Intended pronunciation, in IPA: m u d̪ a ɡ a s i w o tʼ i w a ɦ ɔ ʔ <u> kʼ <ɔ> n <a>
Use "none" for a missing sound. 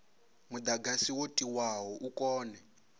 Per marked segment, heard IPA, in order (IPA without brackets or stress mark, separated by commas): u, ɔː, ɛ